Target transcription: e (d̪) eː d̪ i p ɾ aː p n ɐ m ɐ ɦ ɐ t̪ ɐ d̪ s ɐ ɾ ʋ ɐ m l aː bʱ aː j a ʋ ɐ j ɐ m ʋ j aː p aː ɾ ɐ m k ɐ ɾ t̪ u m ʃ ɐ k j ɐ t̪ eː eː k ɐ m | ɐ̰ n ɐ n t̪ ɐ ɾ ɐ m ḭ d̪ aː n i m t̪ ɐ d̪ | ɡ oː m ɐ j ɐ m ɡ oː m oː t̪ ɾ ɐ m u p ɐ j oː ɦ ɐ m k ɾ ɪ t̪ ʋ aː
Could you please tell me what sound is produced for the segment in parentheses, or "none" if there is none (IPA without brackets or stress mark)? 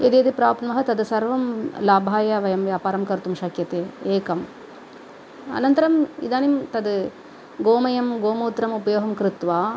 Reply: d̪